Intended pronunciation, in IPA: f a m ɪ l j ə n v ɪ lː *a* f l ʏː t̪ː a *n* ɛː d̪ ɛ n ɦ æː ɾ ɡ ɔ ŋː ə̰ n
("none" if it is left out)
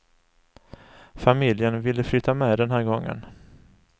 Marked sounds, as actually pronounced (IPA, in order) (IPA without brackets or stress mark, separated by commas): ə, m